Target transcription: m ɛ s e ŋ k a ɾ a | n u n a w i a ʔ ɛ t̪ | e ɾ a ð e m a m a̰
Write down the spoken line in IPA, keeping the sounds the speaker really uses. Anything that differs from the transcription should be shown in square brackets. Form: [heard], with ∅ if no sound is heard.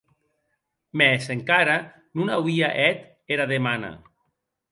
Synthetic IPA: m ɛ s e ŋ k a ɾ a | n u n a w i a ʔ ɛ t̪ | e ɾ a ð e m a [n] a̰